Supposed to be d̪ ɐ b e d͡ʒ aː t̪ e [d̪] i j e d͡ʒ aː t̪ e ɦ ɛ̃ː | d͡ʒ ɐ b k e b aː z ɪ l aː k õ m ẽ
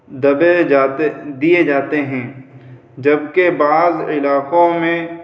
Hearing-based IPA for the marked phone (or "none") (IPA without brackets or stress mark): d̪